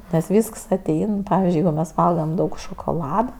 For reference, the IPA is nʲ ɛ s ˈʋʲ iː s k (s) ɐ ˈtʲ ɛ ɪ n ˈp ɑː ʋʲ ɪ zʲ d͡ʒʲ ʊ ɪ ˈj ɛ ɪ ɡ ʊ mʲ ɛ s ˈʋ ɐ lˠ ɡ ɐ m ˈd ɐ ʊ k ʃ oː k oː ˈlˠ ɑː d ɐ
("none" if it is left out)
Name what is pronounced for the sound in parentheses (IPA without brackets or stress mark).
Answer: s